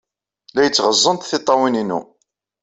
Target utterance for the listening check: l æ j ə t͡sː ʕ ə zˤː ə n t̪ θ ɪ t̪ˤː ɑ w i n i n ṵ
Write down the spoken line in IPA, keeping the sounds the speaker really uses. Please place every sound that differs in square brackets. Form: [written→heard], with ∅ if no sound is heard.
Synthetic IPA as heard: l æ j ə t͡sː [ʕ→ʁ] ə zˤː ə n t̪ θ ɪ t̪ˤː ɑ w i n i n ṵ